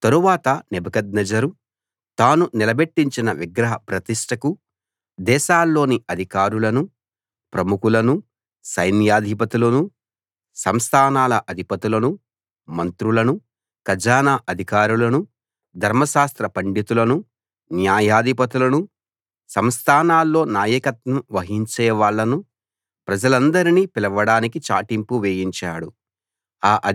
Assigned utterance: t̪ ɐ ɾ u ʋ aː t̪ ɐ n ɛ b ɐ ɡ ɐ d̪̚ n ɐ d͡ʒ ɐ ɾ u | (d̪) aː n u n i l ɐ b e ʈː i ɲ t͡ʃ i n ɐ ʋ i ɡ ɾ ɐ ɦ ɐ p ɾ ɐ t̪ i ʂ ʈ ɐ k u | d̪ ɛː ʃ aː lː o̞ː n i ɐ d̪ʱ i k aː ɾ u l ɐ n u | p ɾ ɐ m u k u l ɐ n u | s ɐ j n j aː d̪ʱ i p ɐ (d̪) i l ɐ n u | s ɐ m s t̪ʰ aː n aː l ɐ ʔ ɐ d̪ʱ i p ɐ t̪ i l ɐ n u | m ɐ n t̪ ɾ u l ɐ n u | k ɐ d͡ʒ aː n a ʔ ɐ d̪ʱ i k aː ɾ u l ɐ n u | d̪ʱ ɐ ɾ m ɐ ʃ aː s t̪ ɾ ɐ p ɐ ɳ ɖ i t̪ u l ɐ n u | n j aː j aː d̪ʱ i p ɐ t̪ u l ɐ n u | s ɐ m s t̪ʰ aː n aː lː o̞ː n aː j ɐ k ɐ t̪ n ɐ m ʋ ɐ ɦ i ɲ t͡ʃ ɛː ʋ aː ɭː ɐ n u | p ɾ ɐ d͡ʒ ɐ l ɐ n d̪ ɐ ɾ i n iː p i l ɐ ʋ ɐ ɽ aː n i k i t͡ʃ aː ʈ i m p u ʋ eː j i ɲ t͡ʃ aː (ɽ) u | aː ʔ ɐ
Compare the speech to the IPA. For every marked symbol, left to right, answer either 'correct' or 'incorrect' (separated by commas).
incorrect, incorrect, correct